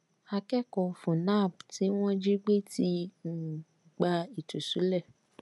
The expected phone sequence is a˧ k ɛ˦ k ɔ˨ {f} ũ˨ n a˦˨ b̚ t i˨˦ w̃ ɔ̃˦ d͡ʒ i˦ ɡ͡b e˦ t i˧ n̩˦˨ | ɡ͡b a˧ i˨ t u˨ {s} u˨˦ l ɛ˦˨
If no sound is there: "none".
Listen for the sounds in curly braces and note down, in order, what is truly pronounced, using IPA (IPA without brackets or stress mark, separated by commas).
f, s